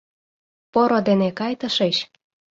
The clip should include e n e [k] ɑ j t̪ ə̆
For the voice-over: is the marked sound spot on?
yes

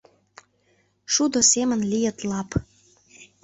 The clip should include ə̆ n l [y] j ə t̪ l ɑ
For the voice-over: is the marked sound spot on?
no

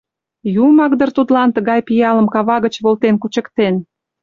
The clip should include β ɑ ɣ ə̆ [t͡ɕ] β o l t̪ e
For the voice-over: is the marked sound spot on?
yes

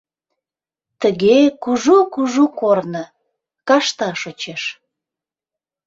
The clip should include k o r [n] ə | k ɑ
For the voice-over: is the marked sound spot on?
yes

